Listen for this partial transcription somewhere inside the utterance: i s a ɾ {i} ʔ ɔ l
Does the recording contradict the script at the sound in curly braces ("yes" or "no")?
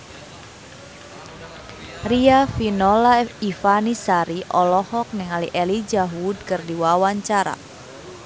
no